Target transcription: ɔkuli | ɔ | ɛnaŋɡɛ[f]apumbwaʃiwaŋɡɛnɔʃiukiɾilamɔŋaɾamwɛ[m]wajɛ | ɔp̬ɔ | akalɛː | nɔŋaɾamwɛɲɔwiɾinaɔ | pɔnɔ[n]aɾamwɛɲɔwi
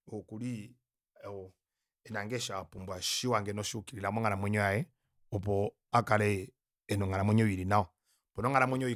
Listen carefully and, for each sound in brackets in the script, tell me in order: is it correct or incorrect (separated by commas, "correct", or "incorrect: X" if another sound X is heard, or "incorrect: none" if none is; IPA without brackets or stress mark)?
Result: incorrect: ʃ, incorrect: ɲ, incorrect: ŋ